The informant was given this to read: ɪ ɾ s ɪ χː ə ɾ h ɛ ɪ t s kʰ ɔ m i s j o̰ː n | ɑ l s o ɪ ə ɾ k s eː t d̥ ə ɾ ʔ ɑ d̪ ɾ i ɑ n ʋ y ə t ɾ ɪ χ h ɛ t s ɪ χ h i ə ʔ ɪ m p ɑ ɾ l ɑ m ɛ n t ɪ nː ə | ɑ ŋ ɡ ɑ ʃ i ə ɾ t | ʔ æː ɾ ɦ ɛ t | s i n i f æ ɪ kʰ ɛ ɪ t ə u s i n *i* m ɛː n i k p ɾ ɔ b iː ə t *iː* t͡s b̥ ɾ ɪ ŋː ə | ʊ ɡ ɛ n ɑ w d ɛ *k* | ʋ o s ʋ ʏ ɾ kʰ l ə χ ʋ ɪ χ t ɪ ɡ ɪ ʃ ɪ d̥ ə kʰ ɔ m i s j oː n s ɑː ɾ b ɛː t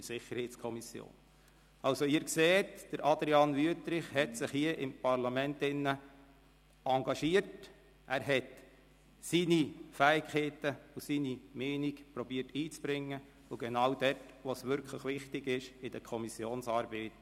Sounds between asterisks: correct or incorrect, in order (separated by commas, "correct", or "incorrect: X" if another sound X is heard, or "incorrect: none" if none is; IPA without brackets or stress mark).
correct, correct, incorrect: t